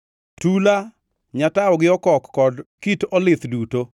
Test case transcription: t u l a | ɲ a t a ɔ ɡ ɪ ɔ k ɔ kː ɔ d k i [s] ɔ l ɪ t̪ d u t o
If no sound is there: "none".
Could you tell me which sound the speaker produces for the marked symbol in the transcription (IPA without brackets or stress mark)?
t